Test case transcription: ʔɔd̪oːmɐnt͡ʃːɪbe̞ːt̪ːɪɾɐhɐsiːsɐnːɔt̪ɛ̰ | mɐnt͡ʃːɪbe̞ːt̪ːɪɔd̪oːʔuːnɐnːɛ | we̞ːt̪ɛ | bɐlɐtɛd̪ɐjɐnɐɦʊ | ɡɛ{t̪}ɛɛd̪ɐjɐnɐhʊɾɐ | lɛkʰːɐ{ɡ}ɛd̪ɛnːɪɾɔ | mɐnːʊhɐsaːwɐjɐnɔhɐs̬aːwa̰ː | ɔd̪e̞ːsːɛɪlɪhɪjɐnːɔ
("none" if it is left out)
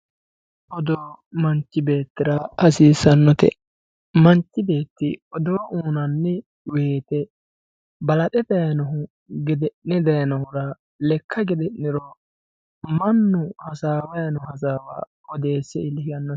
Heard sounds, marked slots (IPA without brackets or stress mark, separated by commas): d̪, ɡ